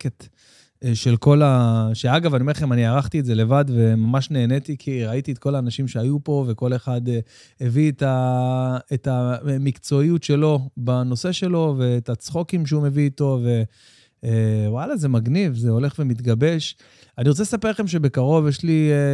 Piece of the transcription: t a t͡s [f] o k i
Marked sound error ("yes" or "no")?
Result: yes